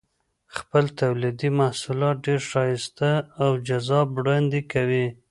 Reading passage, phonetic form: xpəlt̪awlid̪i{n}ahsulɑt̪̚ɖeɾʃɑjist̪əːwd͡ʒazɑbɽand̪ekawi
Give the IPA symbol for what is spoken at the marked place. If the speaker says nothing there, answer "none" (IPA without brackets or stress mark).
m